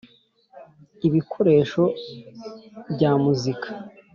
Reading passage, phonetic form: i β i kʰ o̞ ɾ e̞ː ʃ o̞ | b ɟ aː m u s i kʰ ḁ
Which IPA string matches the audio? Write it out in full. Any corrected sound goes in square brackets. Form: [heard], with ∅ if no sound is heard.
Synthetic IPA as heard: i β i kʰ o̞ ɾ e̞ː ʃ o̞ | b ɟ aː m u [z] i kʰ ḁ